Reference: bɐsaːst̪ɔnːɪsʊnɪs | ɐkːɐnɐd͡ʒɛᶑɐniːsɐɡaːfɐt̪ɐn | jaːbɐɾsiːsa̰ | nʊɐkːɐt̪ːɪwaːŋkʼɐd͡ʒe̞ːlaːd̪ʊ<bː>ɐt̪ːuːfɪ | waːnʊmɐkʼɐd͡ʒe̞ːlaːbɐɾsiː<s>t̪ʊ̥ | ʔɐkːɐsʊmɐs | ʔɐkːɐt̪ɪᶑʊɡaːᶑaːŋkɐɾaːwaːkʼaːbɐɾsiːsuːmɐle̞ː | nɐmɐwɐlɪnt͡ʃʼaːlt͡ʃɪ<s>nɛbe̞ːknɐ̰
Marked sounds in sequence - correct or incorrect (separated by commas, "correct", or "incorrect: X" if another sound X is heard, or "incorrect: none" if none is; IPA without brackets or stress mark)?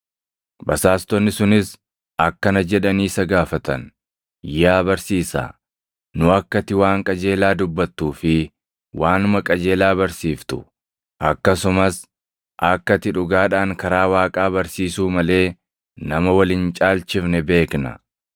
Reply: correct, incorrect: f, incorrect: f